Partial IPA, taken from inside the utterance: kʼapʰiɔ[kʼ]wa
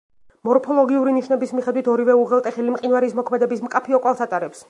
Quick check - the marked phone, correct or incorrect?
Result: correct